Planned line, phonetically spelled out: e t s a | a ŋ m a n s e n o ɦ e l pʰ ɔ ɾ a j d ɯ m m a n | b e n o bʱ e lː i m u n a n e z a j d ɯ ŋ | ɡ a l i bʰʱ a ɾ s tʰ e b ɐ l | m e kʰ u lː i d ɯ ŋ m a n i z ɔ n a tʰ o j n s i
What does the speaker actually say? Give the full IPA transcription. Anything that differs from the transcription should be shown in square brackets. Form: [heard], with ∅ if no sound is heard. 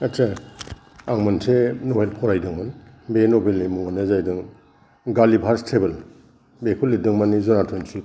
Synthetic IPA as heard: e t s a | a ŋ m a n s e n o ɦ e l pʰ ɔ ɾ a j d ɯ [ŋ] m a n | b e n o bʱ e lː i m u [ŋ] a n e z a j d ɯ ŋ | ɡ a l i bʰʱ a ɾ s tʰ e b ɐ l | [b] e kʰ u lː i d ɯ ŋ m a n i z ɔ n a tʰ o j n s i